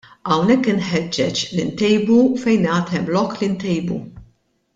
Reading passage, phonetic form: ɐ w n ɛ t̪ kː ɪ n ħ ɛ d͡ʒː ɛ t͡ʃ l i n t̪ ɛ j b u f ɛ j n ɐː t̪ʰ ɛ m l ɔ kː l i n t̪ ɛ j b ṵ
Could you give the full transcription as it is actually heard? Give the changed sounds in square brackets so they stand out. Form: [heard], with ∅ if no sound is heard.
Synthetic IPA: ɐ w n ɛ [∅] kː ɪ n ħ ɛ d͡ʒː ɛ t͡ʃ l i n t̪ ɛ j b u f ɛ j n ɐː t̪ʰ ɛ m l ɔ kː l i n t̪ ɛ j b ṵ